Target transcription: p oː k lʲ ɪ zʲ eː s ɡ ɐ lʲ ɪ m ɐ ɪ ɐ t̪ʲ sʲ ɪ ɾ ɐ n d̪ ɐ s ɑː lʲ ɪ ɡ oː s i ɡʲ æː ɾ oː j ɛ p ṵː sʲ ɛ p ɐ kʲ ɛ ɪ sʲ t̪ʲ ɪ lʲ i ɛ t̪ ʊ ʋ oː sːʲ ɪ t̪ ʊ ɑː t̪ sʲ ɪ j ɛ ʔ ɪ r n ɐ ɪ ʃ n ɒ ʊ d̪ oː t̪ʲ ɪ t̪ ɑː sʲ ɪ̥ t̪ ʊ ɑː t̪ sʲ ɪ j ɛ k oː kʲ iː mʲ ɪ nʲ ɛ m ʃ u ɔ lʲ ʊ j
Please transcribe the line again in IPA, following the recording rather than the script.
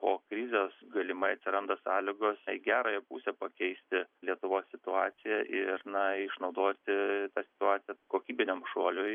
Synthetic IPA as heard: p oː k ɾʲ ɪ zʲ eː s ɡ ɐ lʲ ɪ m ɐ ɪ ɐ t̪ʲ sʲ ɪ ɾ ɐ n d̪ ɐ s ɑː lʲ ɪ ɡ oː s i ɡʲ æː ɾ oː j ɛ p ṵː sʲ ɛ p ɐ kʲ ɛ ɪ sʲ t̪ʲ ɪ lʲ i ɛ t̪ ʊ ʋ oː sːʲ ɪ t̪ ʊ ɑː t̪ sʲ ɪ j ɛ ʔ ɪ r n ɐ ɪ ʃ n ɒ ʊ d̪ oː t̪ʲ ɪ t̪ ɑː sʲ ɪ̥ t̪ ʊ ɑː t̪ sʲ ɪ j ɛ k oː kʲ iː bʲ ɪ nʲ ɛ m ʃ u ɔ lʲ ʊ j